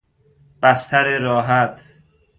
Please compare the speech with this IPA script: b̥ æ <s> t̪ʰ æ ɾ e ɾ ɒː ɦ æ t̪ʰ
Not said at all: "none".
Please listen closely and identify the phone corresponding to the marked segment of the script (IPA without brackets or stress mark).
s